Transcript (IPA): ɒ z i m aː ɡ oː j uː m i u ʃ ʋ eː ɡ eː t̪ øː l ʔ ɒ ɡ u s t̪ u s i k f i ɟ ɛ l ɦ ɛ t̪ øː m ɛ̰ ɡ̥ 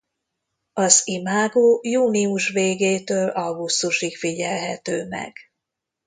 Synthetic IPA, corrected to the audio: ɒ z i m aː ɡ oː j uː n i u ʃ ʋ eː ɡ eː t̪ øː l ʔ ɒ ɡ u s t̪ u ʃ i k f i ɟ ɛ l ɦ ɛ t̪ øː m ɛ̰ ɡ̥